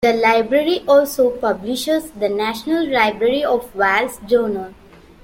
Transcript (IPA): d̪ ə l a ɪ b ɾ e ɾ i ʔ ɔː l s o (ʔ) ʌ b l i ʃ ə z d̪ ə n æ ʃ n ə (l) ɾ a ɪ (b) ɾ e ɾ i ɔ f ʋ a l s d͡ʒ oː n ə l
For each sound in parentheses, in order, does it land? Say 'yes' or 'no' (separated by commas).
no, yes, yes